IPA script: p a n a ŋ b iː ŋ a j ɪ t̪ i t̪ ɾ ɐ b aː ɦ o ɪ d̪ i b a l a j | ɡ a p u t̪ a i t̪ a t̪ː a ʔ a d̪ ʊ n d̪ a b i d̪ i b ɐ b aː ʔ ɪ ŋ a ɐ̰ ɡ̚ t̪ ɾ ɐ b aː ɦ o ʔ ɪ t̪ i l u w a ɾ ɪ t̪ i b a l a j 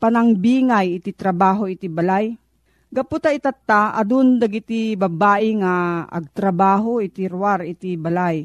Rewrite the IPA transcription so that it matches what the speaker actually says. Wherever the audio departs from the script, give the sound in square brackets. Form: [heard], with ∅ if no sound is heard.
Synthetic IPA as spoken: p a n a ŋ b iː ŋ a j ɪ t̪ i t̪ ɾ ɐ b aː ɦ o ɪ [t̪] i b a l a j | ɡ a p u t̪ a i t̪ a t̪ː a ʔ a d̪ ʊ n d̪ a [ɡ] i [t̪] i b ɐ b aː ʔ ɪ ŋ a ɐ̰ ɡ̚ t̪ ɾ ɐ b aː ɦ o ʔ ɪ t̪ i [ɾ] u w a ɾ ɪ t̪ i b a l a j